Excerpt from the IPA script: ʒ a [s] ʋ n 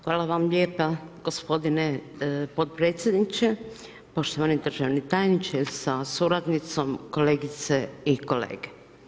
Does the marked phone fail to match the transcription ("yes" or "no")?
yes